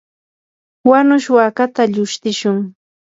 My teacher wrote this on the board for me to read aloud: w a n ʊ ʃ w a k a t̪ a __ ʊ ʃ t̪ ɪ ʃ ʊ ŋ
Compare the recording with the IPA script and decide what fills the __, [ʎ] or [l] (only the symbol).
ʎ